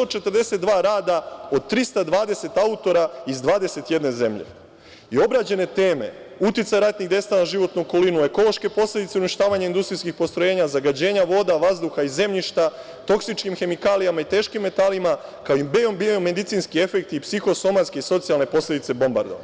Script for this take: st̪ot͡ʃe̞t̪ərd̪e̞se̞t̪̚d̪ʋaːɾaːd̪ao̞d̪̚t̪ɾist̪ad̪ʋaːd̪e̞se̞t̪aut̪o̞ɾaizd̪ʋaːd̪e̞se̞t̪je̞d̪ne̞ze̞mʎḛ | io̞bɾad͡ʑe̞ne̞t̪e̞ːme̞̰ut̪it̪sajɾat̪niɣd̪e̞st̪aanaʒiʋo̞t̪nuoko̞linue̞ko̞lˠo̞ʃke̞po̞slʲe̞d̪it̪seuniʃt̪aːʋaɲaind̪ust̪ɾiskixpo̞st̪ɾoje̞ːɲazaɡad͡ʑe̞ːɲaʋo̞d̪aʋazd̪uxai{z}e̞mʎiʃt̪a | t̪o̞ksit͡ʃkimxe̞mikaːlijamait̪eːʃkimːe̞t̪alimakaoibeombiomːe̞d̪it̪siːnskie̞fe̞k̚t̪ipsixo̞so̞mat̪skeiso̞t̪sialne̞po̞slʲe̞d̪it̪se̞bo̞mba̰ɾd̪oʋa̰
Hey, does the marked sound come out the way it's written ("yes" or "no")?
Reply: yes